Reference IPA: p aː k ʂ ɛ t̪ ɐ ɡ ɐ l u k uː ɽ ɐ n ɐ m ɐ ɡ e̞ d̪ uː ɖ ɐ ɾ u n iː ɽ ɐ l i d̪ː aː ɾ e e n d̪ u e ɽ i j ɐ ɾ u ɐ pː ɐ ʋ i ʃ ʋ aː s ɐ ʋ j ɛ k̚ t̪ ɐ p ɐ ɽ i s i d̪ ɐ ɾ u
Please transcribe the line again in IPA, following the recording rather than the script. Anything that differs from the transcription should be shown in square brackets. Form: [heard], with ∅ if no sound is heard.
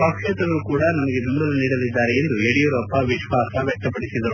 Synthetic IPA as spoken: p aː k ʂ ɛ t̪ ɐ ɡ ɐ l u k uː ɽ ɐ n ɐ m ɐ ɡ e̞ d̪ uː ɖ ɐ [l] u n iː ɽ ɐ l i d̪ː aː ɾ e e n d̪ u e ɽ i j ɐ ɾ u ɐ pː ɐ ʋ i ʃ ʋ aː s ɐ ʋ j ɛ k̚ t̪ ɐ p ɐ ɽ i s i d̪ ɐ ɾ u